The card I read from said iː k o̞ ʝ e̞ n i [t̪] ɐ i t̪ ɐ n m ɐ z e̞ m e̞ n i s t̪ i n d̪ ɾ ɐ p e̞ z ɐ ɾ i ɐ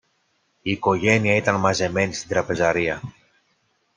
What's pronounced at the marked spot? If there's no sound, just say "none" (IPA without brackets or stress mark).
none